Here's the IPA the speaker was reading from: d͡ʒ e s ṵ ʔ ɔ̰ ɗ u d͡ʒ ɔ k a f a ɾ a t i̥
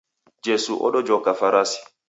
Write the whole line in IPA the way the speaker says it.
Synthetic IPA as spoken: d͡ʒ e s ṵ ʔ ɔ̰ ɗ ɔ d͡ʒ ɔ k a f a ɾ a s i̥